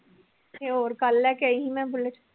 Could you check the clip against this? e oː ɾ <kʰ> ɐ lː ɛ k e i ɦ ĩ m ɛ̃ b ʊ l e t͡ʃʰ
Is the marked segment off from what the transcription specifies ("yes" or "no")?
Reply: yes